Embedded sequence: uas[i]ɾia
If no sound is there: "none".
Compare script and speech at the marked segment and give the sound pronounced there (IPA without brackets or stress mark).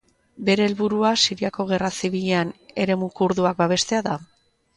i